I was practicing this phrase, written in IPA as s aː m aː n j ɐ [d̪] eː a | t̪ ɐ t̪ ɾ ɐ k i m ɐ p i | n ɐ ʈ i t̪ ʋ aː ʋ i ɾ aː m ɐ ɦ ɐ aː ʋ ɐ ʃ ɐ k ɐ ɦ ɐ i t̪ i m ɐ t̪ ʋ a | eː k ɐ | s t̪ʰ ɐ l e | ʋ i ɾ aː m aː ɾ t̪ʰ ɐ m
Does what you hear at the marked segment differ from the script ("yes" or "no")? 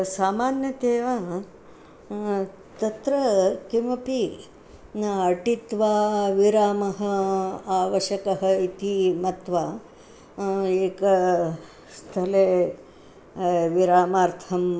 yes